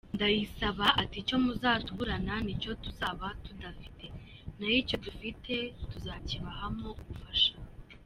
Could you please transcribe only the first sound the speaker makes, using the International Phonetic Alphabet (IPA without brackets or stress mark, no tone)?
n